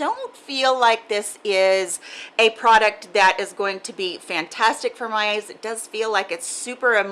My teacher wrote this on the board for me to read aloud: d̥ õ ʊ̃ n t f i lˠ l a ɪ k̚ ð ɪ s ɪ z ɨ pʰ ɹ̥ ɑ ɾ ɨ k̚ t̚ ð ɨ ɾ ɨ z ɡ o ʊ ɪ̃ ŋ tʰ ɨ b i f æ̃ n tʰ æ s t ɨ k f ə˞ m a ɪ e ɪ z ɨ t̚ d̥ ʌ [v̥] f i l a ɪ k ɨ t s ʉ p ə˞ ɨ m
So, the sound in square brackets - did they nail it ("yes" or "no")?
no